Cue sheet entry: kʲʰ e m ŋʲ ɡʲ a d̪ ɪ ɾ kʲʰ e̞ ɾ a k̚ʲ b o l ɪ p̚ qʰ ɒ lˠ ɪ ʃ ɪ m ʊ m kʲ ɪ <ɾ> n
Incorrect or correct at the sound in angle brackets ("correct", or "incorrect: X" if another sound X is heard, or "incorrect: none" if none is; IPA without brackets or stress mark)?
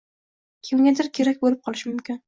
incorrect: none